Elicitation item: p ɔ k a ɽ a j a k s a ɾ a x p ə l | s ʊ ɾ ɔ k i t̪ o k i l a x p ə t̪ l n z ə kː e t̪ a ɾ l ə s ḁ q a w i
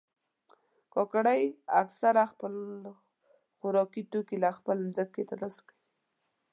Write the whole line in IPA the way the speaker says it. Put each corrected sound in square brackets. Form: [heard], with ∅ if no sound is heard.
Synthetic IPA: [k] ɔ k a ɽ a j a k s a ɾ a x p ə l | [x] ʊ ɾ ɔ k i t̪ o k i l a x p ə [∅] l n z ə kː e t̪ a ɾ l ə s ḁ [k] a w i

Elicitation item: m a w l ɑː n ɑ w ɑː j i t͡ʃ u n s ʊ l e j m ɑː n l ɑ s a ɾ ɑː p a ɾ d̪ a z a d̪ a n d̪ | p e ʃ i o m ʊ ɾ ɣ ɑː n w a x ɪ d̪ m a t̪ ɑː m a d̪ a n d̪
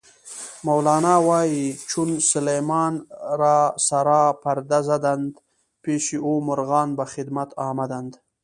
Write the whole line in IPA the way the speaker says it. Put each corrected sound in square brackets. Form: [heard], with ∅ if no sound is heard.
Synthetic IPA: m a w l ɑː n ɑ w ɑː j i t͡ʃ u n s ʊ l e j m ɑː n [ɾ] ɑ s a ɾ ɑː p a ɾ d̪ a z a d̪ a n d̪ | p e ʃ i o m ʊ ɾ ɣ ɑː n [b] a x ɪ d̪ m a t̪ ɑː m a d̪ a n d̪

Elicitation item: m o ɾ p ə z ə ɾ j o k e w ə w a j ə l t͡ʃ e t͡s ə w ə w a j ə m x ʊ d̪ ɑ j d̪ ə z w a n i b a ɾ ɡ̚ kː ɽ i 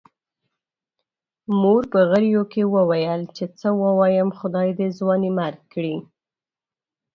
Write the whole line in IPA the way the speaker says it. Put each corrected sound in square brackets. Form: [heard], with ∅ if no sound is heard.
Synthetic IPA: m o ɾ p ə [ɣ] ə ɾ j o k e w ə w a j ə l t͡ʃ e t͡s ə w ə w [ɑ] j ə m x ʊ d̪ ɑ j d̪ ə z w [ɑ] n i [m] a ɾ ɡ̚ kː ɽ i

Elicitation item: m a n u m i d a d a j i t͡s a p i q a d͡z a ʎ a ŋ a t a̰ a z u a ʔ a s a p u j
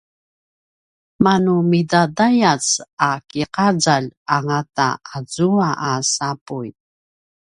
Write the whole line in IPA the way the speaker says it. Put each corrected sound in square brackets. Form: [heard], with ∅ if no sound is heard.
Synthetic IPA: m a n u m i d a d a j [a] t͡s a [k] i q a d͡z a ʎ a ŋ a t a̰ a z u a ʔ a s a p u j

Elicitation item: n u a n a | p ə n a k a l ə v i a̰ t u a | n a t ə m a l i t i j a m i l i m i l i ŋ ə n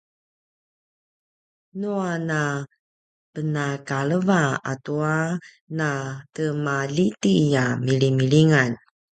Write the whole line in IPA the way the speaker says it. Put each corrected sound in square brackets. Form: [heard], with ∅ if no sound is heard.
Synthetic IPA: n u a n a | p ə n a k a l ə v [a] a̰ t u a | n a t ə m a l i t i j a m i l i m i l i ŋ [a] n

